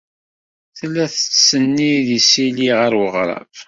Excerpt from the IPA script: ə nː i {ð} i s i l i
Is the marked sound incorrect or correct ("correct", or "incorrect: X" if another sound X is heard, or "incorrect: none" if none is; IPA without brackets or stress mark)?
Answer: correct